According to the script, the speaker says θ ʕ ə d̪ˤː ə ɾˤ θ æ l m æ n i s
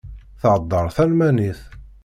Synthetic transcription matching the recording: θ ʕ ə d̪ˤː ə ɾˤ θ æ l m æ n i θ